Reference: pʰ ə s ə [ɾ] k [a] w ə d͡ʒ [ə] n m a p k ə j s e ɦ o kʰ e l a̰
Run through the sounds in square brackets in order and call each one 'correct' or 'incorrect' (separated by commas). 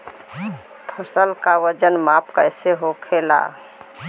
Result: incorrect, correct, correct